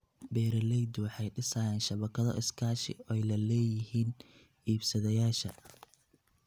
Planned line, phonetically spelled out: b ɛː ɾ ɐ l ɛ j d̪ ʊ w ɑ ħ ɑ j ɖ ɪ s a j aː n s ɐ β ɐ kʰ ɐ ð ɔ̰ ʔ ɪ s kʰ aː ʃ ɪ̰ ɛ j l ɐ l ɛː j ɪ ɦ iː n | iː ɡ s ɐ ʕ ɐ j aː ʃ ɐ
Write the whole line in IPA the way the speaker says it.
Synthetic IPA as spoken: b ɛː ɾ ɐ l ɛ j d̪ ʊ w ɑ ħ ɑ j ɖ ɪ s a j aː n ʃ ɐ β ɐ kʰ ɐ ð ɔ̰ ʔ ɪ s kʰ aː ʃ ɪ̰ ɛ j l ɐ l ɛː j ɪ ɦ iː n | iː b s ɐ ð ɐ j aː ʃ ɐ